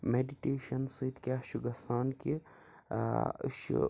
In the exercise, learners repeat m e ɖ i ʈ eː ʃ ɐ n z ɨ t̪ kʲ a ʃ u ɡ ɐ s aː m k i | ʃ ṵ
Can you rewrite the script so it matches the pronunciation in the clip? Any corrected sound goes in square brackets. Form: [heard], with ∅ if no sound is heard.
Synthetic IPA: m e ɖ i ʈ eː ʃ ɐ n [s] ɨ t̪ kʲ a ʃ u ɡ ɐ s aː [n] k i | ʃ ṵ